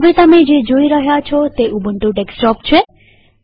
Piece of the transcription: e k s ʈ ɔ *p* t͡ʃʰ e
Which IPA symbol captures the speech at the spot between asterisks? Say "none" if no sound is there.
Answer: p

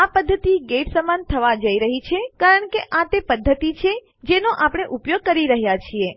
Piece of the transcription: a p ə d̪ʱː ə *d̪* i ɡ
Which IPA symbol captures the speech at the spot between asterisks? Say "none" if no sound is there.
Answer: t̪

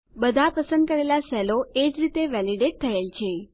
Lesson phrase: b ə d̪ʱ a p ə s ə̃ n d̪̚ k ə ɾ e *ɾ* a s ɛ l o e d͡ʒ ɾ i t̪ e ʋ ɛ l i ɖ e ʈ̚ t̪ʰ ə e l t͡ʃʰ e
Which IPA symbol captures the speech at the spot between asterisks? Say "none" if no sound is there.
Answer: l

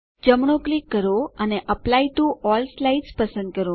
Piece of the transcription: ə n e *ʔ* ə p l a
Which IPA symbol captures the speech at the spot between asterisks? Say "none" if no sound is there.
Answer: ʔ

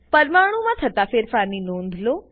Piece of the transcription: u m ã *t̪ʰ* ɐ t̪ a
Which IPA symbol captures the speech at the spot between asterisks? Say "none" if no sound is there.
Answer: t̪ʰ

